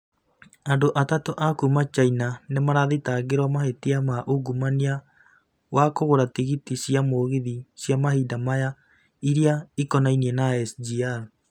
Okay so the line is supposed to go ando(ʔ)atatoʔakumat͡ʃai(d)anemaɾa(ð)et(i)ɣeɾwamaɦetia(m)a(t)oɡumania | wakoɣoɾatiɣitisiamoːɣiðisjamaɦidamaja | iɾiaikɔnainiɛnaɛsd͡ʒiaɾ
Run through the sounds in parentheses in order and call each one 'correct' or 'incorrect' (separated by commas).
correct, incorrect, correct, incorrect, correct, incorrect